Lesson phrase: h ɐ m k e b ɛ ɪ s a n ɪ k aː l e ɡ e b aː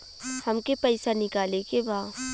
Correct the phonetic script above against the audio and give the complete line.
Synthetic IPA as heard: h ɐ m k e p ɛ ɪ s a n ɪ k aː l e k e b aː